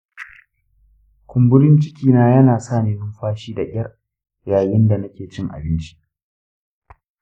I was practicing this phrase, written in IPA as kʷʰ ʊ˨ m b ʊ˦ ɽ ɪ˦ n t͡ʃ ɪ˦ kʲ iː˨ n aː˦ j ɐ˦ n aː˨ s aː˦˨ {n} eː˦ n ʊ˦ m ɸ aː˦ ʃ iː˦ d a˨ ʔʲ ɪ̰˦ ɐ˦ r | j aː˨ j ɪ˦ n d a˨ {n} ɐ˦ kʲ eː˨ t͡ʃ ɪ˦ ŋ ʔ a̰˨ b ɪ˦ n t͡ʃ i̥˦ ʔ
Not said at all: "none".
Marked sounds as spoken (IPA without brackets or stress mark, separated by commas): n, n